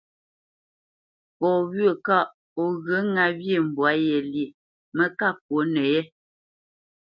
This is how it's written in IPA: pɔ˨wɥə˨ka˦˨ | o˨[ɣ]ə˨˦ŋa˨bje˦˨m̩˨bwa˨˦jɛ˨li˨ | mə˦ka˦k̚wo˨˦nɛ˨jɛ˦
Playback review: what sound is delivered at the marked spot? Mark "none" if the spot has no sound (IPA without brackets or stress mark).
ɣ